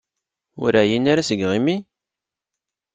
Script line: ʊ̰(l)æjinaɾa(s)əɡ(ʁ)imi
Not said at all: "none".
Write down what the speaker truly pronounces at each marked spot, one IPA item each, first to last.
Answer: ɾ, s, ʁ

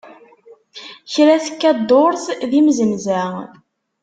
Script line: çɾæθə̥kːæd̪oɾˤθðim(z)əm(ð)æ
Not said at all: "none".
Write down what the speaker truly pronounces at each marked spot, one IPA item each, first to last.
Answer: z, z

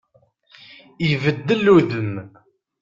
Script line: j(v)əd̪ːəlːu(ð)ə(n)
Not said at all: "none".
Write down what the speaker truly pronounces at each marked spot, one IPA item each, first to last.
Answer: v, ð, m

